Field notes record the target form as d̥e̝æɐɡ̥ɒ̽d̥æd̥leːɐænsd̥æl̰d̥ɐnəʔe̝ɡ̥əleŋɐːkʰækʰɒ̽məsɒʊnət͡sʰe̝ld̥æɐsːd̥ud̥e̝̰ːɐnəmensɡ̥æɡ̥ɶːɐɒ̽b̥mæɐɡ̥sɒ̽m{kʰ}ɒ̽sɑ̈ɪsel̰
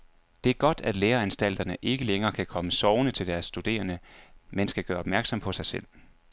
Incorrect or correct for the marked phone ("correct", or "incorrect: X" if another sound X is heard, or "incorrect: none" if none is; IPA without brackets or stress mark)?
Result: incorrect: pʰ